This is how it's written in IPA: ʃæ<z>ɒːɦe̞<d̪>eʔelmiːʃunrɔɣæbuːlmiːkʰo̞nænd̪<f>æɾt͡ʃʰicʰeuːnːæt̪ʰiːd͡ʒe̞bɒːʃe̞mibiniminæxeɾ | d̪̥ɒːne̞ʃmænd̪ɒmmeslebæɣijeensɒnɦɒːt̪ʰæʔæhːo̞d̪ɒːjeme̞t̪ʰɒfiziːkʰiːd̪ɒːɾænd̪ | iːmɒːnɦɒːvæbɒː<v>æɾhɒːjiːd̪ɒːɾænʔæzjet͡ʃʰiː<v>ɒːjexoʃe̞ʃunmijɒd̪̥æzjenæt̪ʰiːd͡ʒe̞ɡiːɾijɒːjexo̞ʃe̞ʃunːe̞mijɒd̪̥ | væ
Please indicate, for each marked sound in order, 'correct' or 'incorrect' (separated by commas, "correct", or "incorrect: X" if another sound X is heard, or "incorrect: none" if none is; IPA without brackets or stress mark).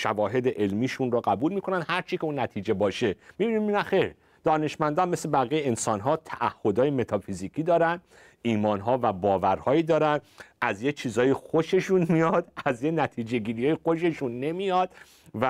incorrect: v, correct, incorrect: h, correct, incorrect: z